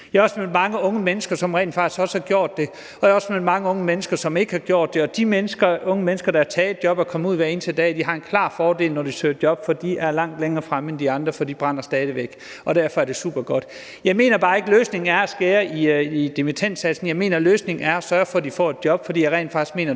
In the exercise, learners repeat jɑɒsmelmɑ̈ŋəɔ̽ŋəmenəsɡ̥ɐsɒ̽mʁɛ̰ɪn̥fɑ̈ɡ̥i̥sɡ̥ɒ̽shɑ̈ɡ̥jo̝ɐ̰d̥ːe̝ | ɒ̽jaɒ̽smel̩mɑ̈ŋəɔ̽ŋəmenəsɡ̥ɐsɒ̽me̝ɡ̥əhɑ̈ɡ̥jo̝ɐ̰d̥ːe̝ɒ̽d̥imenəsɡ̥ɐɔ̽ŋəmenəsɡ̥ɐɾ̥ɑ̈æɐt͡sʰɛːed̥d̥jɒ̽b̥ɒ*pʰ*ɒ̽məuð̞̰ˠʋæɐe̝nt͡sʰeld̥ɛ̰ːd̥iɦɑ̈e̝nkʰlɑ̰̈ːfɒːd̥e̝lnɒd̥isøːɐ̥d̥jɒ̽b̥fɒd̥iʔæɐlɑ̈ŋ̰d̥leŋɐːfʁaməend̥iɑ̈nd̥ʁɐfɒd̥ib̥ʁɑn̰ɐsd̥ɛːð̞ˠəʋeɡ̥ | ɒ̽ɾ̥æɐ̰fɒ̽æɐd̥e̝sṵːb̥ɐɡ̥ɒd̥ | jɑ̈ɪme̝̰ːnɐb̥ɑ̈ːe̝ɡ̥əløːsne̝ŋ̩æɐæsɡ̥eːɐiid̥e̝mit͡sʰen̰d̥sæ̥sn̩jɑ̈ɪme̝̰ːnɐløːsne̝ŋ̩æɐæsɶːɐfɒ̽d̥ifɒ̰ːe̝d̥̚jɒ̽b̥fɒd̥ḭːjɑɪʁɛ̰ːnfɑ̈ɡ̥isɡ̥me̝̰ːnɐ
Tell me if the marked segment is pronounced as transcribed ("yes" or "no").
no